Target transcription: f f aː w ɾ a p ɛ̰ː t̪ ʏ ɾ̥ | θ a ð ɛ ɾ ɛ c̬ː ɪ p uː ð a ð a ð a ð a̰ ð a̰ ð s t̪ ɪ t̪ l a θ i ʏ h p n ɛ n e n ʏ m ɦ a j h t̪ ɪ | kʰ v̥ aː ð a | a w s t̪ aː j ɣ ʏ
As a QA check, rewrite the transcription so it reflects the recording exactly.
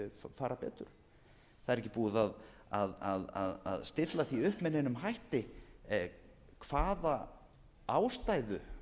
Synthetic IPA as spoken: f f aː ɾ a p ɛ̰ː t̪ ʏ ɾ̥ | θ a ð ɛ ɾ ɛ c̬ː ɪ p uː ð a ð a ð a ð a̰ ð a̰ ð s t̪ ɪ t̪ l a θ i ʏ h p m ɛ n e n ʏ m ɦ a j h t̪ ɪ | kʰ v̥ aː ð a | a w s t̪ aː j ð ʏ